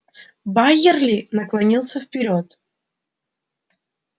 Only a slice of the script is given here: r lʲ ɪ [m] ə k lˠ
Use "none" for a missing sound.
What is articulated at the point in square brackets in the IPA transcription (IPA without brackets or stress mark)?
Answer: n